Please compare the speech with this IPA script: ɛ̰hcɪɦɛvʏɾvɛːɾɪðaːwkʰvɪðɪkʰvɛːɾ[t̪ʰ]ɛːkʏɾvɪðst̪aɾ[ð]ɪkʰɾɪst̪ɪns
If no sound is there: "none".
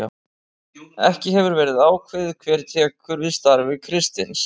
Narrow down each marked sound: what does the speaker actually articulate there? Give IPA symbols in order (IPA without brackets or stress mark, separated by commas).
t̪ʰ, v